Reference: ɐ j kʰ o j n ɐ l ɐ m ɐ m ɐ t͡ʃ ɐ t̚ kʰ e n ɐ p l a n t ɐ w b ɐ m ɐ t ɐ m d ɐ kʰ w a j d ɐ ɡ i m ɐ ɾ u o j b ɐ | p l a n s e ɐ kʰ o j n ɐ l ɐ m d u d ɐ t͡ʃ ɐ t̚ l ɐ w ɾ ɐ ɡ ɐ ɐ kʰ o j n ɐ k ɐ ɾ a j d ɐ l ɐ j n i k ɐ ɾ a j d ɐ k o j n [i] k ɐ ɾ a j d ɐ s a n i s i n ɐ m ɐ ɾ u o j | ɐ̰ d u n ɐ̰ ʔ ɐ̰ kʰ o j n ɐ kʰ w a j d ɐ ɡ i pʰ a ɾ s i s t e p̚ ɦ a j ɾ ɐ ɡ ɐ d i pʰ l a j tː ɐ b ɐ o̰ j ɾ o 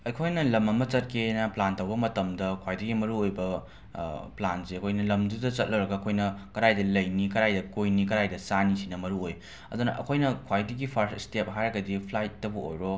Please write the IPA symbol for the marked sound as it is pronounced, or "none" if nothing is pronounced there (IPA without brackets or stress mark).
i